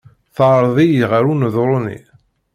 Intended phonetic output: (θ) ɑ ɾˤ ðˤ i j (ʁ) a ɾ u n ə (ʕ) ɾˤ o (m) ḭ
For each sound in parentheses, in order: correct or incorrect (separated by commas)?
correct, correct, incorrect, incorrect